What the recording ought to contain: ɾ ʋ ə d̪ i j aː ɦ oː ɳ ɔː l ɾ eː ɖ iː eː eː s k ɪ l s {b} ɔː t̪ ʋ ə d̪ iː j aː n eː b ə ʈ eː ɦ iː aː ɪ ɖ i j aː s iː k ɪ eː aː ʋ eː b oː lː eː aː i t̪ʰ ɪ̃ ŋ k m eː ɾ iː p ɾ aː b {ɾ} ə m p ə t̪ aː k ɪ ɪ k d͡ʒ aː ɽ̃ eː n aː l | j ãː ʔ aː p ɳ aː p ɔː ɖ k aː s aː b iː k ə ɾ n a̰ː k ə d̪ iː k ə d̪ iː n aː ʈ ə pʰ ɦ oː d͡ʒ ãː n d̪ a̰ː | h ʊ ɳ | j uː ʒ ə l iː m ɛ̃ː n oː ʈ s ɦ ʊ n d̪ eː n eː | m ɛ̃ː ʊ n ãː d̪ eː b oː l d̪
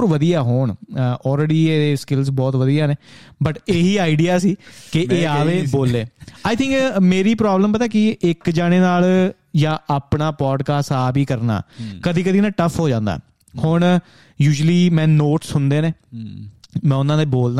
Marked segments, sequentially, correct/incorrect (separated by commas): correct, incorrect